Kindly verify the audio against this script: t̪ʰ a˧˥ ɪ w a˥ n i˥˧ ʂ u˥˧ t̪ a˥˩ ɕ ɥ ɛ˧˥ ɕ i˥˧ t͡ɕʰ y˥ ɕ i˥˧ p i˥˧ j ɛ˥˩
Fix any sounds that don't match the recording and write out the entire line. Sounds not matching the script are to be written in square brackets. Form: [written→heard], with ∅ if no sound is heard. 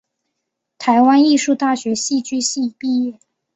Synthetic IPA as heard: t̪ʰ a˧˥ ɪ w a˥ n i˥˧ ʂ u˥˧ t̪ a˥˩ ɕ ɥ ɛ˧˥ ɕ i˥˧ [t͡ɕʰ→t͡ɕ] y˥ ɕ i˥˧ p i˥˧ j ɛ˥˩